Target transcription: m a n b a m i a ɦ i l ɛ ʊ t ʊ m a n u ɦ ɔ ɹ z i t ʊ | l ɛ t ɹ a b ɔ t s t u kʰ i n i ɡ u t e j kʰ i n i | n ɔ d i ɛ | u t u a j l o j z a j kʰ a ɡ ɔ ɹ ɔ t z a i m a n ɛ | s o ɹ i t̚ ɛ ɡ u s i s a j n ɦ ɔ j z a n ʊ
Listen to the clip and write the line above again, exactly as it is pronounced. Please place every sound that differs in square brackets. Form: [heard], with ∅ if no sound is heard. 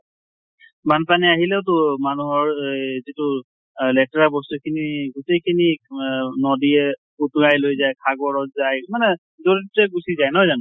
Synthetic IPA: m a n [p] a [n] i a ɦ i l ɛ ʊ t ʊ m a n u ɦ ɔ ɹ z i t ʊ | l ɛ t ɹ a b ɔ [∅] s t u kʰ i n i ɡ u t e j kʰ i n i | n ɔ d i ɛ | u t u a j l o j z a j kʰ a ɡ ɔ ɹ ɔ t z a [j] m a n ɛ | [z] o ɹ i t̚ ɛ ɡ u s i [z] a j n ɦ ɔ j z a n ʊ